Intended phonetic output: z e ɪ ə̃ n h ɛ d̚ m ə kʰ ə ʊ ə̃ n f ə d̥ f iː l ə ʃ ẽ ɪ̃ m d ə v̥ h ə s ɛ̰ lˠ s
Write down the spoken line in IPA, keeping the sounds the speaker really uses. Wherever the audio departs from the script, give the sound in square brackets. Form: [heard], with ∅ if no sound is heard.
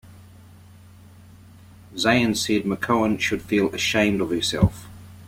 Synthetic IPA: z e ɪ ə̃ n [s] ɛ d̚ m ə kʰ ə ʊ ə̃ n [ʃ] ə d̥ f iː l ə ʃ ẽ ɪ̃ m d ə v̥ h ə s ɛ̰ lˠ [f]